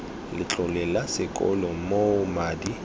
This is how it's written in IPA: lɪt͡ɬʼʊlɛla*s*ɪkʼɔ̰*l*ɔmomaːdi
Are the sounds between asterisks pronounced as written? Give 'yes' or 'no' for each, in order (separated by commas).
yes, yes